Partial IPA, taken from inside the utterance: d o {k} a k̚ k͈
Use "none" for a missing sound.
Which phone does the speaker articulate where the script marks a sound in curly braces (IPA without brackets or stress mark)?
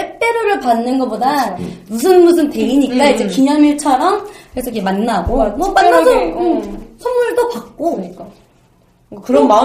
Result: p